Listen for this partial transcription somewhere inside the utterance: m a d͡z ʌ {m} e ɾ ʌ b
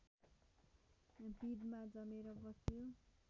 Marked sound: correct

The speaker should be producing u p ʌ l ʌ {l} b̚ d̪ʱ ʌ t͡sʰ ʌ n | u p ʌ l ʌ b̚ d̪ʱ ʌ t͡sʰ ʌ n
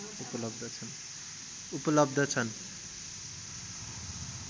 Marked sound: incorrect: none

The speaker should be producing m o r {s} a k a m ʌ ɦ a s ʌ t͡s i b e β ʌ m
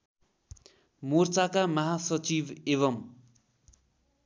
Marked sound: incorrect: t͡s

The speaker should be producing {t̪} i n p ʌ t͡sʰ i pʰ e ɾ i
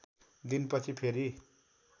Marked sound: incorrect: d̪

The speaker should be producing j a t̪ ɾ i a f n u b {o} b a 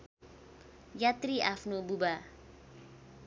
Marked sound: incorrect: u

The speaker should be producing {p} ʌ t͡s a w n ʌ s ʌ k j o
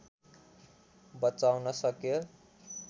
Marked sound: incorrect: b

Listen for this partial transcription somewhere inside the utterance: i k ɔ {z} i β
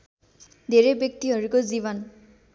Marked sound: correct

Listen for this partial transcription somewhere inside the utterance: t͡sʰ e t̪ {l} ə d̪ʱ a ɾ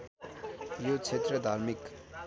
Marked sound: incorrect: ɾ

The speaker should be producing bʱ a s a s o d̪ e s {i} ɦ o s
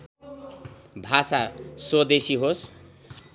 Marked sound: correct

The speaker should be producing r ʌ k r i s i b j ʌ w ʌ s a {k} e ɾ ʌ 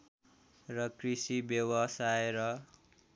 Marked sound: incorrect: none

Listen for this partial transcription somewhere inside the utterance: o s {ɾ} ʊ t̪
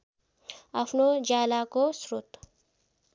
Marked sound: correct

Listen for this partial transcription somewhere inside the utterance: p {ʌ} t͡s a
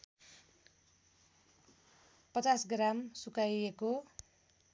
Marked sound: correct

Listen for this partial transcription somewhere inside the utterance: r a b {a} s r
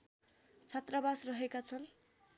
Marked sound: correct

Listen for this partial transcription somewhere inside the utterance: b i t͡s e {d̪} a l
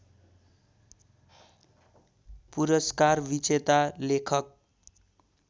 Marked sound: incorrect: t̪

